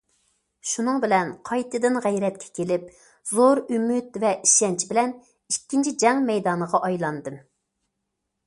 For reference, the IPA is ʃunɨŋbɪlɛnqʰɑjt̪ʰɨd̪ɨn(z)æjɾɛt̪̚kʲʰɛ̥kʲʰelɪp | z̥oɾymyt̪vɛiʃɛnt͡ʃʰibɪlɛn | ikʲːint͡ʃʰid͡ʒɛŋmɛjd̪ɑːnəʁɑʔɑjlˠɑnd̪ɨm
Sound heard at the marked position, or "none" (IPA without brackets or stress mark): ʁ